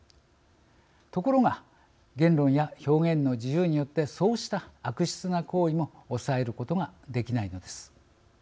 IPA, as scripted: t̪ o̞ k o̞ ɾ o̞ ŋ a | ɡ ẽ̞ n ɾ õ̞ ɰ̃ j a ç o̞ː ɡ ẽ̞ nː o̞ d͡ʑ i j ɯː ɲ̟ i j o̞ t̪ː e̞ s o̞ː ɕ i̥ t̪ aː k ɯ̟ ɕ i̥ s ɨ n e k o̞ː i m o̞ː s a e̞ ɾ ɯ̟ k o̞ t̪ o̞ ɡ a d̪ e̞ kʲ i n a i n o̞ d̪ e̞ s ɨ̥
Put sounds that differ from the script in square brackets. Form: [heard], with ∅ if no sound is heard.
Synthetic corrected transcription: t̪ o̞ k o̞ ɾ o̞ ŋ a | ɡ ẽ̞ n ɾ õ̞ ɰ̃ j a ç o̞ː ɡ ẽ̞ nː o̞ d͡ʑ i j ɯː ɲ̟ i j o̞ t̪ː e̞ s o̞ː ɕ i̥ t̪ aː k ɯ̟ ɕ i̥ [t͡s] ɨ n [a] k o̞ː i m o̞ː s a e̞ ɾ ɯ̟ k o̞ t̪ o̞ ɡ a d̪ e̞ kʲ i n a i n o̞ d̪ e̞ s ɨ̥